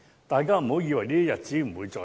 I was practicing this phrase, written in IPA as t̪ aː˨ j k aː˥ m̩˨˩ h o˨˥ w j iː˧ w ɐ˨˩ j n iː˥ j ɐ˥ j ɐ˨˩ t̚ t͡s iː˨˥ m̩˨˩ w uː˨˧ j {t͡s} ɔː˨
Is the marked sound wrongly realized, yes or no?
no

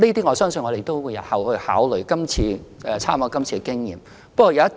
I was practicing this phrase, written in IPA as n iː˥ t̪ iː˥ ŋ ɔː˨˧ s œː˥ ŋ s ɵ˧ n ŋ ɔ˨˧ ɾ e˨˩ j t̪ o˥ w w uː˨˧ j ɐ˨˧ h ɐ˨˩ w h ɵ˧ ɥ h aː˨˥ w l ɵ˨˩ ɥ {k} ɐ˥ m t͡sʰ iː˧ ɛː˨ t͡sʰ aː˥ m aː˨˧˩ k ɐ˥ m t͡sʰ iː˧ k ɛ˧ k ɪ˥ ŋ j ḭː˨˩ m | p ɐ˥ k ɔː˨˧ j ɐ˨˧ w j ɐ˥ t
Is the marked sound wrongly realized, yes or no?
no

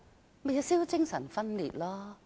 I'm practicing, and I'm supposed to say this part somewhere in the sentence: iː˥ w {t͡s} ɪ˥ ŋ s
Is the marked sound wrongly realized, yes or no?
no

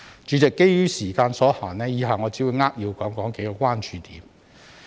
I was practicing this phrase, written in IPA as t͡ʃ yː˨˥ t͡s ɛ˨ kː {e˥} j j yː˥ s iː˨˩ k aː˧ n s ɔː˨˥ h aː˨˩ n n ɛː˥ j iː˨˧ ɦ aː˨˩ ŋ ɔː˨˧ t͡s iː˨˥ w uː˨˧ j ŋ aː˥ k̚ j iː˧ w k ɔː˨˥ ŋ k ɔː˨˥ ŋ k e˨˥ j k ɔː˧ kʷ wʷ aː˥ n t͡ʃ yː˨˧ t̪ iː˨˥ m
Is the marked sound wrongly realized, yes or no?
no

